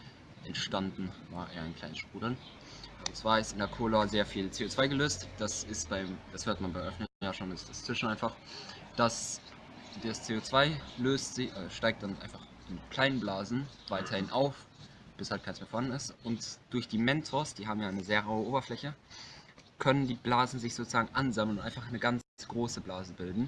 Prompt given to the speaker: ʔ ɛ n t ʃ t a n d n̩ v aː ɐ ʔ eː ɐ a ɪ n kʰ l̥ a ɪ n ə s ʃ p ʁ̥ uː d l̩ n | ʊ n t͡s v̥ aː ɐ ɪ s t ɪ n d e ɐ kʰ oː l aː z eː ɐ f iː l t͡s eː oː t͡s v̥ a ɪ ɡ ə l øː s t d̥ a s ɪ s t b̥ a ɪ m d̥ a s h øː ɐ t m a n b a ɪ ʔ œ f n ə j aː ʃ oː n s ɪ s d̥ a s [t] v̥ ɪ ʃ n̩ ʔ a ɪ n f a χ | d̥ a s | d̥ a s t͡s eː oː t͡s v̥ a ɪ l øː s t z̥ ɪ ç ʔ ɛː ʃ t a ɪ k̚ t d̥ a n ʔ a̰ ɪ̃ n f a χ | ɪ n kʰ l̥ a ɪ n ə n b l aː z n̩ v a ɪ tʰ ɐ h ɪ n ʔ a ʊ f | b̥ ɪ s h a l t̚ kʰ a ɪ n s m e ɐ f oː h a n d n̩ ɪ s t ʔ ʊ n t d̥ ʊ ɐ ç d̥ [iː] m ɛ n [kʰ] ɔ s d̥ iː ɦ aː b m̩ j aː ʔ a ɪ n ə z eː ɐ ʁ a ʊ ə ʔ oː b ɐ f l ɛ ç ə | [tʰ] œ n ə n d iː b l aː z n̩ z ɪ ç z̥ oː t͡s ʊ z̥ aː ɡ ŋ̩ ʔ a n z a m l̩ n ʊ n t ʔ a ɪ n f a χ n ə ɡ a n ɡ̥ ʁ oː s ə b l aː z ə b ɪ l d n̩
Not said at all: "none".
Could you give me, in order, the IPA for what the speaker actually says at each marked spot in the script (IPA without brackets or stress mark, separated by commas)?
t͡s, iː, tʰ, kʰ